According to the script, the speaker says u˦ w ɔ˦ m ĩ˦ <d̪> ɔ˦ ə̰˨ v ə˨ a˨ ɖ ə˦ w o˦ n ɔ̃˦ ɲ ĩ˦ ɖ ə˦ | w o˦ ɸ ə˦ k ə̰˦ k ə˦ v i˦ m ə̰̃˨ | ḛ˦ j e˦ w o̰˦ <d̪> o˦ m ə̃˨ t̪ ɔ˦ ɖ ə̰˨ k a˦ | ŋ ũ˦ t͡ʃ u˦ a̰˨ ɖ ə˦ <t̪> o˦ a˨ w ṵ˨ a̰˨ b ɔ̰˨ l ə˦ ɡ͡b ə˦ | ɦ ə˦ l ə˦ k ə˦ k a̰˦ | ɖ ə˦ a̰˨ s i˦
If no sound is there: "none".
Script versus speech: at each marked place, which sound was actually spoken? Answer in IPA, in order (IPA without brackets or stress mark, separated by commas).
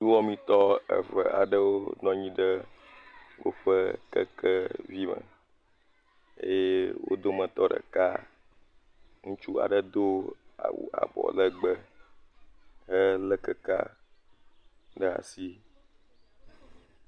t̪, d̪, d̪